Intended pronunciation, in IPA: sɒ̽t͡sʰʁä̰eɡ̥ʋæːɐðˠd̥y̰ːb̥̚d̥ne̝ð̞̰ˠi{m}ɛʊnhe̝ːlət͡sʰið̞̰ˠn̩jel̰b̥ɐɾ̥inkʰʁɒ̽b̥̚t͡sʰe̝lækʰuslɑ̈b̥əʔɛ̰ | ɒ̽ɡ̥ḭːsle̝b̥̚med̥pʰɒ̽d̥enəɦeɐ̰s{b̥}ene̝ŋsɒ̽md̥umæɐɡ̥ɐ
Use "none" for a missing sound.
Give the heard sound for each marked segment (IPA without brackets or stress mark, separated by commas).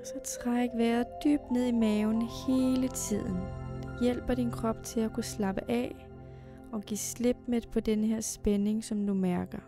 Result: m, b̥